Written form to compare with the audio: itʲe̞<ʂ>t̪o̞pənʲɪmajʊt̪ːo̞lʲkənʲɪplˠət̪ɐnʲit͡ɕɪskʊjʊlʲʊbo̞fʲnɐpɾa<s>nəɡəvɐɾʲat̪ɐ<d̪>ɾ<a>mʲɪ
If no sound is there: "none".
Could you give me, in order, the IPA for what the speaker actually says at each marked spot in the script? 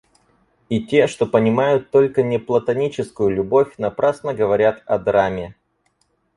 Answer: ʂ, s, d̪, a

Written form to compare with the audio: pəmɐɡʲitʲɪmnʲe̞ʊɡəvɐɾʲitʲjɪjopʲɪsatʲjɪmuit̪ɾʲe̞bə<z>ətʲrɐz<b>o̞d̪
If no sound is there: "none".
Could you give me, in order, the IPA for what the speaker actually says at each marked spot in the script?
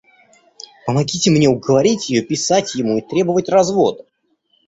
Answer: v, v

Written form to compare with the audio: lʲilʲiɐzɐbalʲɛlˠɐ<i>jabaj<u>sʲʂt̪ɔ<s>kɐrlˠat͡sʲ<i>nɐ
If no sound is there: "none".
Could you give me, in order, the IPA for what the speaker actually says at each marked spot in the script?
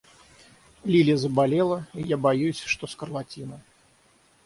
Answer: i, u, s, i

